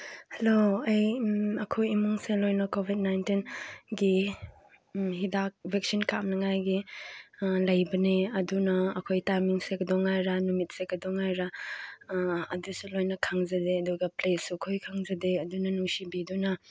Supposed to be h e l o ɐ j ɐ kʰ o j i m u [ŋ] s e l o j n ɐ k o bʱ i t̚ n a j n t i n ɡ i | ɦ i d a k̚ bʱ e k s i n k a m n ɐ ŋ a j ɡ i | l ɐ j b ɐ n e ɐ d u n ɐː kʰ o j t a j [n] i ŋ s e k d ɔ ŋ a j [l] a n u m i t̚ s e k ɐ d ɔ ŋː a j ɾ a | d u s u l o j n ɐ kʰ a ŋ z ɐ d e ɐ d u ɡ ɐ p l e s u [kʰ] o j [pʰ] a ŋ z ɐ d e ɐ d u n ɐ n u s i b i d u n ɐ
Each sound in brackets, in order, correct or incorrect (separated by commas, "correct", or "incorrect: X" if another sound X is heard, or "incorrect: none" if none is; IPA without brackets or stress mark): correct, incorrect: m, incorrect: ɾ, correct, incorrect: kʰ